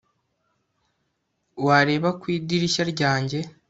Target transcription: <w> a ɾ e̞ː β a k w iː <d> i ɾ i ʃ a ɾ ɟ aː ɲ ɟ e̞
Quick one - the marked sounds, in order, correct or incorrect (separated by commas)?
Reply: correct, correct